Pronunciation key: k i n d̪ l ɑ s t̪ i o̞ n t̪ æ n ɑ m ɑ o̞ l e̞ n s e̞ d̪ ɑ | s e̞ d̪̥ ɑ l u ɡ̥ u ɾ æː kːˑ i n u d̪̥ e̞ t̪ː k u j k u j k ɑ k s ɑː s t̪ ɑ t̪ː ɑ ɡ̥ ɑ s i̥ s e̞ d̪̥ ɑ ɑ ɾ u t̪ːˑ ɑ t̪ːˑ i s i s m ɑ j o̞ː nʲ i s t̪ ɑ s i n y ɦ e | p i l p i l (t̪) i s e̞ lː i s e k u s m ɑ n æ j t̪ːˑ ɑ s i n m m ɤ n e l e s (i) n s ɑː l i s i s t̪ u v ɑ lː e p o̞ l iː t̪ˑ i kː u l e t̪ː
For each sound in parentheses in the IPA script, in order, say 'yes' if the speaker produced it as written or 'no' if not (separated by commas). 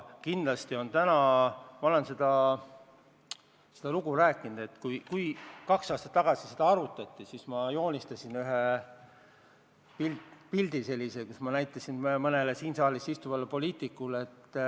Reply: no, no